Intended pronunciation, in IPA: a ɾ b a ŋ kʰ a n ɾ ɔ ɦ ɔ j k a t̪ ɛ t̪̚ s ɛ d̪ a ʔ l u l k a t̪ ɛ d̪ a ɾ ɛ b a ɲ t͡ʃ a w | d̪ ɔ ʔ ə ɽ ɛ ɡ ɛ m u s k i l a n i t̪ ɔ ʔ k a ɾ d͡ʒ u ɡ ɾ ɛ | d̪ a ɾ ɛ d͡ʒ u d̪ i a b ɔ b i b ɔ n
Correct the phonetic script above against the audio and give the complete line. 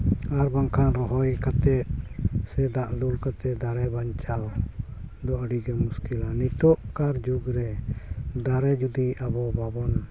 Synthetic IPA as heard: a ɾ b a ŋ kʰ a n ɾ ɔ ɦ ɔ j k a t̪ ɛ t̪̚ s ɛ d̪ a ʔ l u l k a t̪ ɛ d̪ a ɾ ɛ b a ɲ t͡ʃ a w | d̪ ɔ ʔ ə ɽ i ɡ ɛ m u s k i l a n i t̪ ɔ ʔ k a ɾ d͡ʒ u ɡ ɾ ɛ | d̪ a ɾ ɛ d͡ʒ u d̪ i a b ɔ b a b ɔ n